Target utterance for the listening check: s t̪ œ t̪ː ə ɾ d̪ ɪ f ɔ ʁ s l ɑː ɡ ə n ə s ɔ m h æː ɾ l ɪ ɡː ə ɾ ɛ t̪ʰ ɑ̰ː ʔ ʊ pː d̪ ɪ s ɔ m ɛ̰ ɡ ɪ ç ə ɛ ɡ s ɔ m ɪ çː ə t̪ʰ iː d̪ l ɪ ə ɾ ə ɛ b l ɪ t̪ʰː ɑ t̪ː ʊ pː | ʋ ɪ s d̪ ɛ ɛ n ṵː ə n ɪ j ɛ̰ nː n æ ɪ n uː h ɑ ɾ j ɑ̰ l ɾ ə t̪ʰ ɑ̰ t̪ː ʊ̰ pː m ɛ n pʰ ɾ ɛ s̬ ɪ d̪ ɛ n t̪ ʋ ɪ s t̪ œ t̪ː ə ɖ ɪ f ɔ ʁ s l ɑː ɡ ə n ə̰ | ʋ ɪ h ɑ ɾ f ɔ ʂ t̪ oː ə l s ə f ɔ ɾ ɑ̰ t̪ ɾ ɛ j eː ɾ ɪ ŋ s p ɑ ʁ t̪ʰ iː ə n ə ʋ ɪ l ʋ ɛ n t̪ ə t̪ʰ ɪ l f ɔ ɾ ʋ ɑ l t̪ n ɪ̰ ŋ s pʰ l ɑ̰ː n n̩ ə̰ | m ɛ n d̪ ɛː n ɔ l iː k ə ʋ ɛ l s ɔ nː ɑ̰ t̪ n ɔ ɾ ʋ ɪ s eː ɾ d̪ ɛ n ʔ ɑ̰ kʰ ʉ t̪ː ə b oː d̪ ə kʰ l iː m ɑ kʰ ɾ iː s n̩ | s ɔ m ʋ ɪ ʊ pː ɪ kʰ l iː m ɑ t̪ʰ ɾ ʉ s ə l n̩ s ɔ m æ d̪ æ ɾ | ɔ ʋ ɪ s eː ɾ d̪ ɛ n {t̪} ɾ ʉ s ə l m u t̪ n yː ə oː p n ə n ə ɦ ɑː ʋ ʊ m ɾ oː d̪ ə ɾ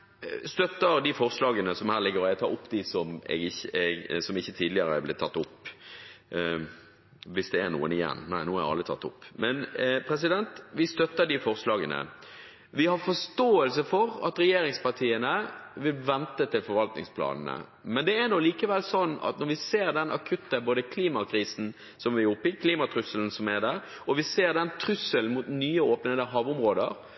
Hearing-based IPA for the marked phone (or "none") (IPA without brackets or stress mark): t̪ʰ